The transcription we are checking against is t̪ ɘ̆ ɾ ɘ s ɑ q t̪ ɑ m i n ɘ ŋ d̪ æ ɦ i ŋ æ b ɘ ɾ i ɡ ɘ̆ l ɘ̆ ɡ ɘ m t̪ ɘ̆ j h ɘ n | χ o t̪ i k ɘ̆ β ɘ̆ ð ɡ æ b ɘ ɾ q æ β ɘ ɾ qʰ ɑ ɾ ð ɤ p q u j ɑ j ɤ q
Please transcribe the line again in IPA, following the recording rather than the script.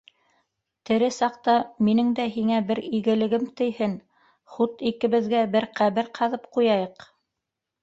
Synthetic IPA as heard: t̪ ɘ̆ ɾ ɘ s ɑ q t̪ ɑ m i n ɘ ŋ d̪ æ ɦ i ŋ æ b ɘ ɾ i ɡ ɘ̆ l ɘ̆ ɡ ɘ m t̪ ɘ̆ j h ɘ n | χ u t̪ i k ɘ̆ β ɘ̆ ð ɡ æ b ɘ ɾ q æ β ɘ ɾ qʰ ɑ ð ɤ p q u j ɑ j ɤ q

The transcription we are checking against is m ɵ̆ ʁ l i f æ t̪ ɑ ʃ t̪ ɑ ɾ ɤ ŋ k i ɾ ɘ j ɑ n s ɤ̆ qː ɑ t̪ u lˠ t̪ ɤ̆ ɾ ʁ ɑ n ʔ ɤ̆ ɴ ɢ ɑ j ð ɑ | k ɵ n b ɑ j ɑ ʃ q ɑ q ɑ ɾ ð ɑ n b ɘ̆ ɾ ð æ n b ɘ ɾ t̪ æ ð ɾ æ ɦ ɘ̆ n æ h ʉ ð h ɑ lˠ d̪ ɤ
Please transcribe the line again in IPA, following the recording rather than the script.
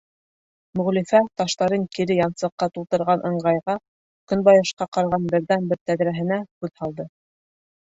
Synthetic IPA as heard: m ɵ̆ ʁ l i f æ t̪ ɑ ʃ t̪ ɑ ɾ ɤ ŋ k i ɾ ɘ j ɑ n s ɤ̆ qː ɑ t̪ u lˠ t̪ ɤ̆ ɾ ʁ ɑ n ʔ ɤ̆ ɴ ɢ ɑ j ʁ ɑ | k ɵ n b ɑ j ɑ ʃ q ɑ q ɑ ɾ ʁ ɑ n b ɘ̆ ɾ ð æ n b ɘ ɾ t̪ æ ð ɾ æ ɦ ɘ̆ n æ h ʉ ð h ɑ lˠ d̪ ɤ

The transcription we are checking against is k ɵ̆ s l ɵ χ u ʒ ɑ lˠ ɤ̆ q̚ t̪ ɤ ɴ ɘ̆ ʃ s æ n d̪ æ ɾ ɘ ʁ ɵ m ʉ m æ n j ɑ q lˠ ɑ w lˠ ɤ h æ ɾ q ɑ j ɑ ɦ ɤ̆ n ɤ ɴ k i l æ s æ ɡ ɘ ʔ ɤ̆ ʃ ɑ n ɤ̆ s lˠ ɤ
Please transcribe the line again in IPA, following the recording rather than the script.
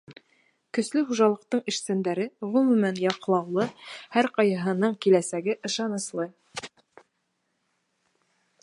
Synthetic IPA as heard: k ɵ̆ s l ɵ χ u ʒ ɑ lˠ ɤ̆ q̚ t̪ ɤ ɴ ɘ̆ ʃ s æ n d̪ æ ɾ ɘ ʁ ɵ m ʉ m æ n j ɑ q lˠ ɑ w lˠ ɤ h æ ɾ q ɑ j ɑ ɦ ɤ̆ n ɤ ɴ k i l æ s æ ɡ ɘ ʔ ɤ̆ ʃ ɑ n ɤ̆ s lˠ ɤ

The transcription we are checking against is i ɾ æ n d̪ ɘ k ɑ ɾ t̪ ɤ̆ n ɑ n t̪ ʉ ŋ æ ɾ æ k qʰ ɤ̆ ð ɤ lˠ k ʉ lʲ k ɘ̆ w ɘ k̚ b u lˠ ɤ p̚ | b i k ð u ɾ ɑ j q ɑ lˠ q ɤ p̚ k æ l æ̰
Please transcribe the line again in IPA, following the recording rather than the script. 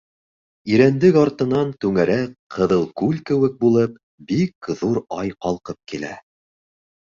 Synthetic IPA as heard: i ɾ æ n d̪ ɘ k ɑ ɾ t̪ ɤ̆ n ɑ n t̪ ʉ ŋ æ ɾ æ k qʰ ɤ̆ ð ɤ lˠ k ʉ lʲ k ɘ̆ w ɘ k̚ b u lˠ ɤ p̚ | b i k ð u ɾ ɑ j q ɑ lˠ q ɤ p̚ k i l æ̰

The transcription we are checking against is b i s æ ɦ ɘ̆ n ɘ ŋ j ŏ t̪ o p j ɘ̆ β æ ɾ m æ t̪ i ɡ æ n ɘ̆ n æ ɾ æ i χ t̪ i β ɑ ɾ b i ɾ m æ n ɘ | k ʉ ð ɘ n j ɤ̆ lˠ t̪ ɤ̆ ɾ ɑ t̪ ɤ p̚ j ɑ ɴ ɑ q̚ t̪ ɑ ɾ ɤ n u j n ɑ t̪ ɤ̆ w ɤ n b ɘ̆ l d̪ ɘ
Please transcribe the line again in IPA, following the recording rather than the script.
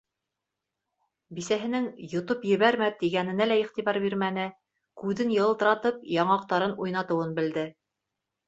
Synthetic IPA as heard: b i s æ ɦ ɘ̆ n ɘ ŋ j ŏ t̪ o p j ɘ̆ β æ ɾ m æ t̪ i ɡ æ n ɘ̆ n æ l æ i χ t̪ i β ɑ ɾ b i ɾ m æ n ɘ | k ʉ ð ɘ n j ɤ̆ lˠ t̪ ɤ̆ ɾ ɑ t̪ ɤ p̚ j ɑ ɴ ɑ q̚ t̪ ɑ ɾ ɤ n u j n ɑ t̪ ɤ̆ w ɤ n b ɘ̆ l d̪ ɘ

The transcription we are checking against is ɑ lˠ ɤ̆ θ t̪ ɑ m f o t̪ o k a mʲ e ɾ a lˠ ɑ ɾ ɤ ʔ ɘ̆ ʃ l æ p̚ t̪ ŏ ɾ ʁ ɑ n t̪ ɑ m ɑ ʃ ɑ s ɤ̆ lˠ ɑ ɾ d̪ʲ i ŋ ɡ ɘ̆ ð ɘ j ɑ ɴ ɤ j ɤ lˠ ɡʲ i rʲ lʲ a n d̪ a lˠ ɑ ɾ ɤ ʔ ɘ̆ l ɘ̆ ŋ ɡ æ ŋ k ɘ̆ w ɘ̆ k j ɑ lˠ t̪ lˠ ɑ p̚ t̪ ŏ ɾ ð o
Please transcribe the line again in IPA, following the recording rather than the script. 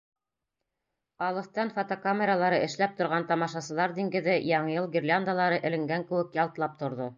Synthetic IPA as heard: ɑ lˠ ɤ̆ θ t̪ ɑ n f o t̪ o k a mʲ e ɾ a lˠ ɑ ɾ ɤ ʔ ɘ̆ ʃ l æ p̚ t̪ ŏ ɾ ʁ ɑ n t̪ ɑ m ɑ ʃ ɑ s ɤ̆ lˠ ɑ ɾ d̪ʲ i ŋ ɡ ɘ̆ ð ɘ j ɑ ɴ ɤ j ɤ lˠ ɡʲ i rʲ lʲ a n d̪ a lˠ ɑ ɾ ɤ ʔ ɘ̆ l ɘ̆ ŋ ɡ æ ŋ k ɘ̆ w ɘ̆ k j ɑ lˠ t̪ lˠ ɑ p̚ t̪ ŏ ɾ ð o

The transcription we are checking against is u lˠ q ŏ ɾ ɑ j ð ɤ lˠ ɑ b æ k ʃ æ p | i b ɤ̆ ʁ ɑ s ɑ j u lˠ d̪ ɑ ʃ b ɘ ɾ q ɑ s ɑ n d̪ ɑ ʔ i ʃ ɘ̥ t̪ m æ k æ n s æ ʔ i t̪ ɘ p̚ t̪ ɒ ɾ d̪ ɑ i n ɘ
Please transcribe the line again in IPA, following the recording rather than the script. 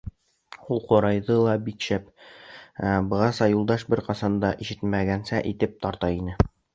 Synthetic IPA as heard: u lˠ q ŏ ɾ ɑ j ð ɤ lˠ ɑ b i k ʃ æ p | æ b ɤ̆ ʁ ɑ s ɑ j u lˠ d̪ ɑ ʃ b ɘ ɾ q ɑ s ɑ n d̪ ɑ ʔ i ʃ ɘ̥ t̪ m æ ɡ æ n s æ ʔ i t̪ ɘ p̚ t̪ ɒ ɾ t̪ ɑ i n ɘ

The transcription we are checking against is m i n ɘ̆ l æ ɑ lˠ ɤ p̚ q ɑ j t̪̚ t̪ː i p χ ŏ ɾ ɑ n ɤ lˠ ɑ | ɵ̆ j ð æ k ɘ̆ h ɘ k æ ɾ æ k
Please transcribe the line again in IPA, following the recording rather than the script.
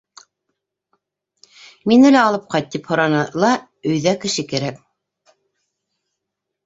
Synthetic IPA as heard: m i n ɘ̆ l æ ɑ lˠ ɤ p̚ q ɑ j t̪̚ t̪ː i p h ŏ ɾ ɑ n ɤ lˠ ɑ | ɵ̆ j ð æ k ɘ̆ ʃ ɘ k æ ɾ æ k

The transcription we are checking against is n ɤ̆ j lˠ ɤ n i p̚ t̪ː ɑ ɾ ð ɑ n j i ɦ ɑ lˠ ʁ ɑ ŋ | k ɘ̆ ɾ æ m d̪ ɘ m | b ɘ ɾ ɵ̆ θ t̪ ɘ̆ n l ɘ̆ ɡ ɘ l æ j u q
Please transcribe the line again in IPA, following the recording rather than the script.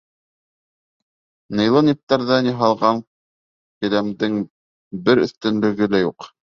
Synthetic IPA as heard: n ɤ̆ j lˠ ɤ n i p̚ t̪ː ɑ ɾ ð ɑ n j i ɦ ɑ lˠ ʁ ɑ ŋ | k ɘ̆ l æ m d̪ ɘ ŋ | b ɘ ɾ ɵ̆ θ t̪ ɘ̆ n l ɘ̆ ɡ ɘ l æ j u q

